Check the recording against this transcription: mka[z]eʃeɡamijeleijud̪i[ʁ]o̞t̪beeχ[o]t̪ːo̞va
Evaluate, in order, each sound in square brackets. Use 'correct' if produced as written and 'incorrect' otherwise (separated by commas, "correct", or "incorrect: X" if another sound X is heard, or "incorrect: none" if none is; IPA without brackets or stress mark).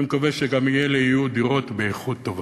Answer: incorrect: v, correct, incorrect: u